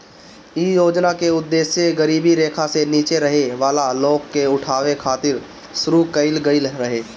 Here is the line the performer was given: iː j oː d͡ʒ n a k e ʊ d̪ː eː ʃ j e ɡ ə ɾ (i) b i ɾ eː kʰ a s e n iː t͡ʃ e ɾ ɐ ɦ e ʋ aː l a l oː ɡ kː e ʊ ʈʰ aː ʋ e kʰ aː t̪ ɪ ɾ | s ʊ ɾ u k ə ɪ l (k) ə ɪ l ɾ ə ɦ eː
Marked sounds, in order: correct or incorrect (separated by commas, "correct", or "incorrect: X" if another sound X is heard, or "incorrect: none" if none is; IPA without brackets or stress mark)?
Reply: incorrect: iː, incorrect: ɡ